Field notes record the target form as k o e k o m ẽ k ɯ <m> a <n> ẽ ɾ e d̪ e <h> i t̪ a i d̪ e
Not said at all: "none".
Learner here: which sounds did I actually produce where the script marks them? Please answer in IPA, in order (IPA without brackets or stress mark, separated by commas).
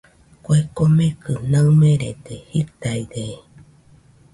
n, m, h